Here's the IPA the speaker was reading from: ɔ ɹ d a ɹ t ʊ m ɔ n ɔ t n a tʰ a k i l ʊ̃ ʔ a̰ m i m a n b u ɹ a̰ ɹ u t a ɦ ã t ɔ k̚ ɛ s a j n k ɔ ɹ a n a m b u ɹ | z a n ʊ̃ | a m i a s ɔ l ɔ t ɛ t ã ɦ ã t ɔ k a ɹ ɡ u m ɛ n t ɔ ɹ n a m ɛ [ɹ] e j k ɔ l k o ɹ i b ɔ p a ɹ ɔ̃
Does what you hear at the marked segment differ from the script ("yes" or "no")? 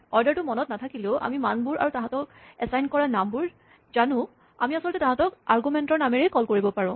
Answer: no